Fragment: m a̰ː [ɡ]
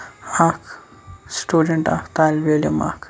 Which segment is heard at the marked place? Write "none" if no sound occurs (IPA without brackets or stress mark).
k